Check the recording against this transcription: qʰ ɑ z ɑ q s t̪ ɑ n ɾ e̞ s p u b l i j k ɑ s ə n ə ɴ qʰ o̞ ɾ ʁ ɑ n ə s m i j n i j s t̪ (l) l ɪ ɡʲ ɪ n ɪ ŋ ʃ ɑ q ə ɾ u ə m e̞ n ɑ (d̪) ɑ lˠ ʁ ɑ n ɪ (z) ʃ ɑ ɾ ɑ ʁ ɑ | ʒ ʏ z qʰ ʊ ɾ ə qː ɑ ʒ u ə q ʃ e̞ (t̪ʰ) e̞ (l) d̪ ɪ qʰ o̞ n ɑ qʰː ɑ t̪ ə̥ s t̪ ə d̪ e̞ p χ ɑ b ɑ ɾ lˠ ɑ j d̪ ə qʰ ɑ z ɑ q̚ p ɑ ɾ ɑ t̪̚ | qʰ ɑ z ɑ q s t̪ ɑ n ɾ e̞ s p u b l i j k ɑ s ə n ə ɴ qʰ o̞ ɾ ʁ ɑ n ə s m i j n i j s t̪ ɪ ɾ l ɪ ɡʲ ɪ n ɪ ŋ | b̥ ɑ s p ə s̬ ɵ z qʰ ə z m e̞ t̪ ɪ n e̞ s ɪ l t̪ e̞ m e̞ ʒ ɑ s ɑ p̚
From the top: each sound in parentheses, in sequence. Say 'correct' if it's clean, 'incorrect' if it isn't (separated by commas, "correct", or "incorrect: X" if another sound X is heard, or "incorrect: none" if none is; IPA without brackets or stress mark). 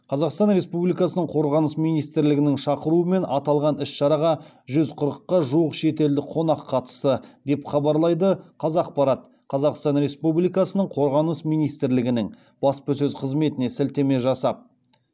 incorrect: ɾ, incorrect: t̪, incorrect: s, incorrect: t̪, correct